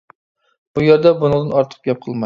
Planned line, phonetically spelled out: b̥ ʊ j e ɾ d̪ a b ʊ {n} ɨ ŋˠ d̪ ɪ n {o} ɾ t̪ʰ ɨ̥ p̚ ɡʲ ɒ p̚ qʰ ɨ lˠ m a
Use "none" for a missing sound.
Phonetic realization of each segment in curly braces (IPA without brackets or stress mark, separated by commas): n, ɒ